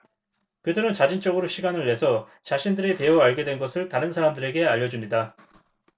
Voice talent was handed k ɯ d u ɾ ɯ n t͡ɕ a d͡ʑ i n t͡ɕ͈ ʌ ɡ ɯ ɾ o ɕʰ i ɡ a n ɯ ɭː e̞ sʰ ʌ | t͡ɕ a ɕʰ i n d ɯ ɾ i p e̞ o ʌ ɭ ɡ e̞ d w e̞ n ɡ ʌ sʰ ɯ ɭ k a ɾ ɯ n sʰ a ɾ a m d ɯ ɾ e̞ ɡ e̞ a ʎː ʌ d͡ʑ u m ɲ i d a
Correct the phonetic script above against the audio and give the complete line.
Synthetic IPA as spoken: k ɯ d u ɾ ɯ n t͡ɕ a d͡ʑ i n t͡ɕ͈ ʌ ɡ ɯ ɾ o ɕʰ i ɡ a n ɯ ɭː e̞ sʰ ʌ | t͡ɕ a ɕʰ i n d ɯ ɾ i p e̞ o a ɭ ɡ e̞ d w e̞ n ɡ ʌ sʰ ɯ ɭ t a ɾ ɯ n sʰ a ɾ a m d ɯ ɾ e̞ ɡ e̞ a ʎː ʌ d͡ʑ u m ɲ i d a